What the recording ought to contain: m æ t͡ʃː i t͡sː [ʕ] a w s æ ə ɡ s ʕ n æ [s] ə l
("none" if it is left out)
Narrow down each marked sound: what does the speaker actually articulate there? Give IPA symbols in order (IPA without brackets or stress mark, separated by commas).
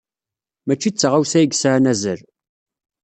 ʁ, z